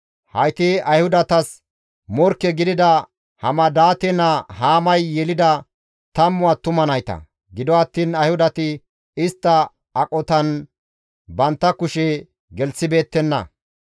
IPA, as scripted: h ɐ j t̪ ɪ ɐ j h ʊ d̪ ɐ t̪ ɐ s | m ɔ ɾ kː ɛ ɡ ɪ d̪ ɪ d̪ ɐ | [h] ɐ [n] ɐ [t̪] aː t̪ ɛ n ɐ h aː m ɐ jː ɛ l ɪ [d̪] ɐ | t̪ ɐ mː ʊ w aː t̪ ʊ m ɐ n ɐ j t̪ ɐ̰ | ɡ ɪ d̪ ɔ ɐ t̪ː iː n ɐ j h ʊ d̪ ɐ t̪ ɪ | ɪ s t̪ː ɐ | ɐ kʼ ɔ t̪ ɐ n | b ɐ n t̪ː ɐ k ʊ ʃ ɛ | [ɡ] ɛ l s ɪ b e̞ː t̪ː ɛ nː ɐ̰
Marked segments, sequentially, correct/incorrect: correct, incorrect: m, incorrect: d̪, correct, correct

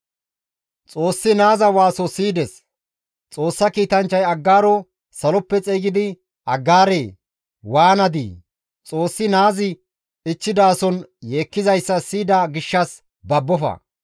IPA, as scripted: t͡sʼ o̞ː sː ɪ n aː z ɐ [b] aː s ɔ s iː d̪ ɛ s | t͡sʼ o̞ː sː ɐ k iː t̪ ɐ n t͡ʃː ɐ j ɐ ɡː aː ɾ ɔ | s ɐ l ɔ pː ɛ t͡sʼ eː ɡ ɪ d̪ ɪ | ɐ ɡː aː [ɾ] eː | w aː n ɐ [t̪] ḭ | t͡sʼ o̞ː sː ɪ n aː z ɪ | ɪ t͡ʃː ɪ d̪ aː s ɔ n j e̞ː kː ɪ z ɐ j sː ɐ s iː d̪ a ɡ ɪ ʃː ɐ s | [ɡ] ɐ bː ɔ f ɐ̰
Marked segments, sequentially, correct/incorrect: incorrect: w, correct, incorrect: d̪, incorrect: b

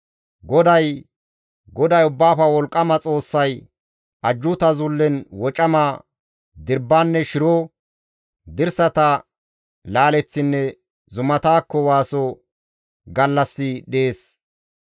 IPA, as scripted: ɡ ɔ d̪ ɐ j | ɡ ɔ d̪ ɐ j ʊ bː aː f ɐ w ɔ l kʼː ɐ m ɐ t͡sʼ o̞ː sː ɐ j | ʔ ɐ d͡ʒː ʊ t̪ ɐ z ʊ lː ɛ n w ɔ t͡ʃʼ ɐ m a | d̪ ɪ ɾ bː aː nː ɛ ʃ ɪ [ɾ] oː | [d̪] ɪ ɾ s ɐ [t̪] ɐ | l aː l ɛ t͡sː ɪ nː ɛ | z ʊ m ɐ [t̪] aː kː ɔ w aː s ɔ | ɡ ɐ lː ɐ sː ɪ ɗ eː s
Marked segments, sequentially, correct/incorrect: correct, correct, correct, correct

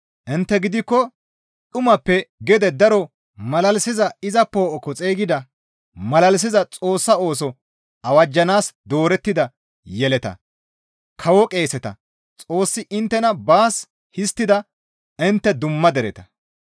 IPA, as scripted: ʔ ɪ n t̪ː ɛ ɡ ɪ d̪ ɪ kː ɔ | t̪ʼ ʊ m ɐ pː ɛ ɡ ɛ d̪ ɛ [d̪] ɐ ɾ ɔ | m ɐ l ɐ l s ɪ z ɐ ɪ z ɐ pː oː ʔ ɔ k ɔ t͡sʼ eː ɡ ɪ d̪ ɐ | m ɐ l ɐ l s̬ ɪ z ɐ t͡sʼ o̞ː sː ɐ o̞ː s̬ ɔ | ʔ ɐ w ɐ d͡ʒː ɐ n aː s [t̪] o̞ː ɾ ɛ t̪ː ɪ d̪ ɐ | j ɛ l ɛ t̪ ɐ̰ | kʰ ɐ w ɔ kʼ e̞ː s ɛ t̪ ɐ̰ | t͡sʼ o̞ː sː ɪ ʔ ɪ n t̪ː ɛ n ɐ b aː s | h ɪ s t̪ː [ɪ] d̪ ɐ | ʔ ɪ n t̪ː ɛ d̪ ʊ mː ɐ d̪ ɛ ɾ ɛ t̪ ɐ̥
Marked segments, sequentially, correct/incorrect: correct, incorrect: d̪, correct

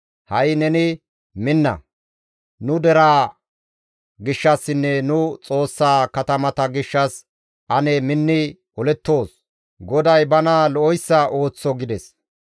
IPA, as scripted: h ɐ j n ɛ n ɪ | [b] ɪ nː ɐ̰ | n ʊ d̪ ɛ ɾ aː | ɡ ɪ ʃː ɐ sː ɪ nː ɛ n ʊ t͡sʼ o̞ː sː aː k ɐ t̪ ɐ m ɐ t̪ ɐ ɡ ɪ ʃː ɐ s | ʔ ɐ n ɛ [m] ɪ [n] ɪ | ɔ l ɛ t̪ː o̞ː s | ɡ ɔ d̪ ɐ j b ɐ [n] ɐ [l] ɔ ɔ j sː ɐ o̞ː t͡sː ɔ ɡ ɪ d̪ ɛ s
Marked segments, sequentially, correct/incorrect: incorrect: m, correct, incorrect: nː, correct, correct

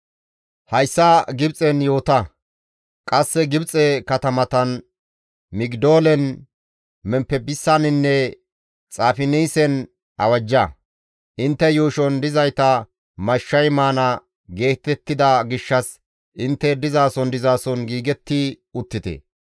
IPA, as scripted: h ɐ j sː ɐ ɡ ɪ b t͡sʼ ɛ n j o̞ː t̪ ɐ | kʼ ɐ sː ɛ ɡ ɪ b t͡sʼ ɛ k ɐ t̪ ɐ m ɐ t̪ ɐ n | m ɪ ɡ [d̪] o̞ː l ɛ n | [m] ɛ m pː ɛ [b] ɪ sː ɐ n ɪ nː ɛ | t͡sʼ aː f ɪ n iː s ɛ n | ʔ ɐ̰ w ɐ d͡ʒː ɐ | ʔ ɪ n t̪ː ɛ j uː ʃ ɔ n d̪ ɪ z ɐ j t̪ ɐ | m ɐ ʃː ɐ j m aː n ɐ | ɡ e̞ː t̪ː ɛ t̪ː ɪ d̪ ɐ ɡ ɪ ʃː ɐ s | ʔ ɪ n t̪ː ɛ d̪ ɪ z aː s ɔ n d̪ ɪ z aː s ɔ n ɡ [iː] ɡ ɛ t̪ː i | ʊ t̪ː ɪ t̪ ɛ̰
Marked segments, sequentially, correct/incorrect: correct, correct, correct, correct

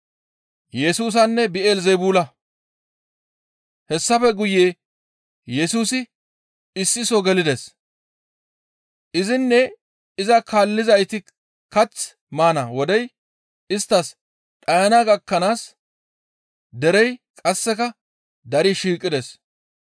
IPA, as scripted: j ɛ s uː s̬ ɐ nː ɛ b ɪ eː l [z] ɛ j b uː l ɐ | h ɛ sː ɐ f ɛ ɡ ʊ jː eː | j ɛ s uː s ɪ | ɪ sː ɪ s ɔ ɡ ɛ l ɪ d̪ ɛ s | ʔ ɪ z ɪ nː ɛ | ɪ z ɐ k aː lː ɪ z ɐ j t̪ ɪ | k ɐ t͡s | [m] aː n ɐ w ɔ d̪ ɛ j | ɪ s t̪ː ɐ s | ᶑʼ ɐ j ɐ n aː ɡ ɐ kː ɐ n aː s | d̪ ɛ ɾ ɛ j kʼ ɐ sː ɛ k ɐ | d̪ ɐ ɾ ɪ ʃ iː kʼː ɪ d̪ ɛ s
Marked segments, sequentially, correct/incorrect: correct, correct

